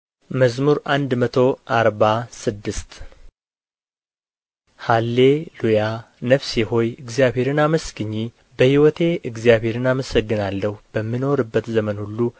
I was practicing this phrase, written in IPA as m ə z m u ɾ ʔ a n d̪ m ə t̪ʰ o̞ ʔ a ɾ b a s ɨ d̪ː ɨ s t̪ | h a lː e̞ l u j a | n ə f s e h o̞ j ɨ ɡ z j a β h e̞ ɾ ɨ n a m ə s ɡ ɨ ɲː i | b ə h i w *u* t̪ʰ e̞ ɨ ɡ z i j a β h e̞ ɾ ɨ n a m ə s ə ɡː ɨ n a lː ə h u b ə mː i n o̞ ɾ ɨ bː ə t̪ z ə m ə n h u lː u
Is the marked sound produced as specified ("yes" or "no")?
no